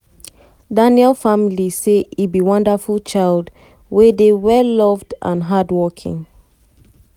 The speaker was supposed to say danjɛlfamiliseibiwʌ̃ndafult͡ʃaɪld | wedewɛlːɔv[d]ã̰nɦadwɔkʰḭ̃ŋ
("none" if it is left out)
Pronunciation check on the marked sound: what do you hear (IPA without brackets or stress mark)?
d